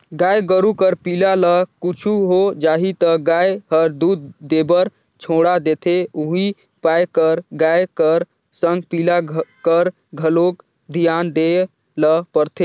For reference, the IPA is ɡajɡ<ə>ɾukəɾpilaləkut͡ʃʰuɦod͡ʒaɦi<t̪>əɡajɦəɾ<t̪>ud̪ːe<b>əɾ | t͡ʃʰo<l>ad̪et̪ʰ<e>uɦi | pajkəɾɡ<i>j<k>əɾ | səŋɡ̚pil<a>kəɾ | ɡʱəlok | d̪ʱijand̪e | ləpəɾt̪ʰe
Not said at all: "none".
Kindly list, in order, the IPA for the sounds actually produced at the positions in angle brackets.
ə, t̪, d̪, b, ɽ, e, a, k, a

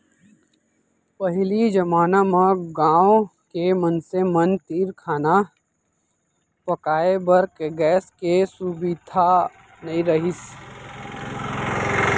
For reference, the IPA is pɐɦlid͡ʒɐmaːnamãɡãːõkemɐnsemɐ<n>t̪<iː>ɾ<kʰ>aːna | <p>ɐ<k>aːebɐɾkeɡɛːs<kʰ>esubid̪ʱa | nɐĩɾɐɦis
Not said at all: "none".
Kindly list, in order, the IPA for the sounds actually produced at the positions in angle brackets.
n, iː, kʰ, p, k, k

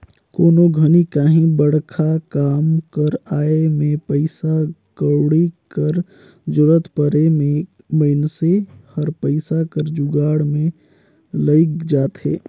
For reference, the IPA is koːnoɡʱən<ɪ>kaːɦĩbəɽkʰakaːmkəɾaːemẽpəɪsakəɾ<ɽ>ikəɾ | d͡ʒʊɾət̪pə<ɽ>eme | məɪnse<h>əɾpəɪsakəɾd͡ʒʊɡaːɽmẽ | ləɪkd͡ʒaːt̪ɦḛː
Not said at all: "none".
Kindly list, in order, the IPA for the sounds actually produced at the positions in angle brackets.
i, ɽ, ɾ, h

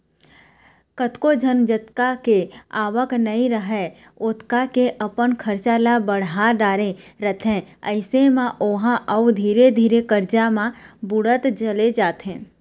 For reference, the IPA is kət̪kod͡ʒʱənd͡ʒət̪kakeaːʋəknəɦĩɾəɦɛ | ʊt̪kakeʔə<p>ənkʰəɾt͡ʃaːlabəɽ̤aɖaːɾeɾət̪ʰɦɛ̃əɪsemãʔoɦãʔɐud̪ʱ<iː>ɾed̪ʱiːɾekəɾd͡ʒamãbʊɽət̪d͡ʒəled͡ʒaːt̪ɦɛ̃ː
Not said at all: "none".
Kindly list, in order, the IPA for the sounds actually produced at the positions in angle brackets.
p, iː

